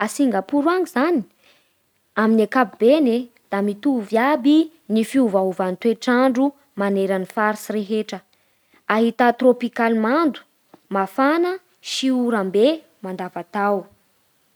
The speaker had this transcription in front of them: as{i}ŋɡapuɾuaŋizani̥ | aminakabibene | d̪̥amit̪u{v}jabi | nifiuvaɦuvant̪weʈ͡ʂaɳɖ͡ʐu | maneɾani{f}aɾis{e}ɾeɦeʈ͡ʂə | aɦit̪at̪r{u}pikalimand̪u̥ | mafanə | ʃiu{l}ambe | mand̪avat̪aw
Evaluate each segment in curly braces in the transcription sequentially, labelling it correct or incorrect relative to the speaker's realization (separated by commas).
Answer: correct, correct, correct, incorrect, incorrect, incorrect